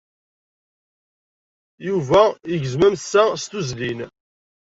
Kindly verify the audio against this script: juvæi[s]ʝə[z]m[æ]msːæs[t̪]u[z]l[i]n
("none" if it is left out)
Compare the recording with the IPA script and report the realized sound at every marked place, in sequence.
none, z, æ, t̪, z, i

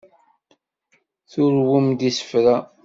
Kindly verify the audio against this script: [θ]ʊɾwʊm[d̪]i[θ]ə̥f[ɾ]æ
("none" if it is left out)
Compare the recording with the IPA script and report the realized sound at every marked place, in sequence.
θ, d̪, s, ɾ

